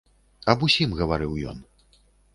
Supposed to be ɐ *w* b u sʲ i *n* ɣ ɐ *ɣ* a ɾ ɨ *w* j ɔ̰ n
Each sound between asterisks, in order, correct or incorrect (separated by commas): incorrect, incorrect, incorrect, correct